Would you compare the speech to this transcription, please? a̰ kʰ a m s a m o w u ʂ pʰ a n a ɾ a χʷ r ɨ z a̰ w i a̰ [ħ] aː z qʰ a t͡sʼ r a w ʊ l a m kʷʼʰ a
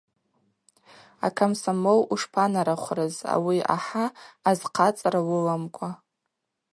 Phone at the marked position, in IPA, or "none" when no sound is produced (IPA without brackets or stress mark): ħ